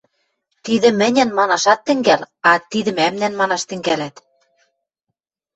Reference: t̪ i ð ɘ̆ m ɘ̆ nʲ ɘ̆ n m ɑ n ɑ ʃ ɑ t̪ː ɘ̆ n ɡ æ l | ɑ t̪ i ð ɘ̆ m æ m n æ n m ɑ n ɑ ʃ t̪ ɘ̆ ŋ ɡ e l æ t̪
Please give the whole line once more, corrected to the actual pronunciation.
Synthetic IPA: t̪ i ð ɘ̆ m ɘ̆ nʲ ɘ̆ n m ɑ n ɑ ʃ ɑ t̪ː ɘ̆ ŋ ɡ æ l | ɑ t̪ i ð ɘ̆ m æ m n æ n m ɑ n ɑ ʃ t̪ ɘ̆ ŋ ɡ æ l æ t̪